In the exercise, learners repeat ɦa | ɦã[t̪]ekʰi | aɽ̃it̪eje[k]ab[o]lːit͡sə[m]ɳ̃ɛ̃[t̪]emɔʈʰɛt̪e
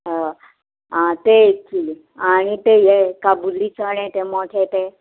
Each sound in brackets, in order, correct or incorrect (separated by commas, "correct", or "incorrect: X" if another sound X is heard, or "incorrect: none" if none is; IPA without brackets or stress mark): correct, correct, incorrect: u, incorrect: none, correct